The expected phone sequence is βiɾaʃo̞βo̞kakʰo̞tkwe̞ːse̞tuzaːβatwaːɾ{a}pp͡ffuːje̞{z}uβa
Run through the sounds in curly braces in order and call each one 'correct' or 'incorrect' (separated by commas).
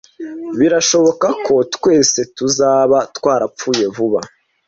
correct, incorrect